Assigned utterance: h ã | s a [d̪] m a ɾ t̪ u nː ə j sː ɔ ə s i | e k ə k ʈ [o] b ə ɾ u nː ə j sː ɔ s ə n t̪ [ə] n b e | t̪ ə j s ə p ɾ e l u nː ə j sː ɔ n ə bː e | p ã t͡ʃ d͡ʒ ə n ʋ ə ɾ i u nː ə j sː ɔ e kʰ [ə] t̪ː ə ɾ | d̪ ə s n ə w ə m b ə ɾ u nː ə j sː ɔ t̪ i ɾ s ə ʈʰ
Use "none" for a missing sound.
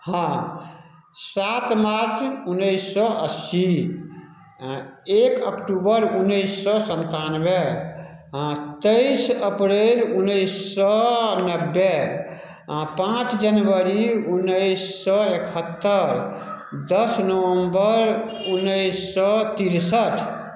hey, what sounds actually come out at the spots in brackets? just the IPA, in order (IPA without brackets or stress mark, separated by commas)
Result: t̪, u, a, ə